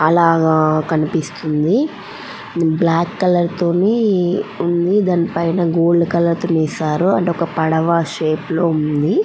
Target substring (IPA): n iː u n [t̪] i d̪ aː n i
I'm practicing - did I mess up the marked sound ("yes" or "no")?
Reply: yes